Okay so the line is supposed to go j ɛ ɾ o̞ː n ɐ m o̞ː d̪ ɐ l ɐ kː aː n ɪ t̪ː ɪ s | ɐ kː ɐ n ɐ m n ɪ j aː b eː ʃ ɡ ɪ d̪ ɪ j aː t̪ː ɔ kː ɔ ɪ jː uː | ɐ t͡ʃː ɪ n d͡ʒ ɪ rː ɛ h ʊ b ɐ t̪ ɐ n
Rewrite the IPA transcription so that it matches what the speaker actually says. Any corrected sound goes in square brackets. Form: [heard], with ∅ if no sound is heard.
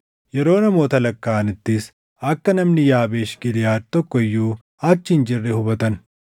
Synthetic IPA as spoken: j ɛ ɾ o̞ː n ɐ m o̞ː [t̪] ɐ l ɐ kː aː n ɪ t̪ː ɪ s | ɐ kː ɐ n ɐ m n ɪ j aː b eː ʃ ɡ ɪ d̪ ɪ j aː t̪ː ɔ kː ɔ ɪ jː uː | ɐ t͡ʃː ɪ n d͡ʒ ɪ rː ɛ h ʊ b ɐ t̪ ɐ n